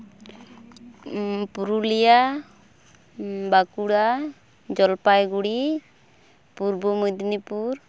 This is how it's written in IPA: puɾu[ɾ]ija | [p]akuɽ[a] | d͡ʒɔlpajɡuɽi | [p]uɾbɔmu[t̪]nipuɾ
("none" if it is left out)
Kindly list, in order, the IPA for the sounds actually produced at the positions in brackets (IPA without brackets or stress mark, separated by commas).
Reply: l, b, a, p, d̪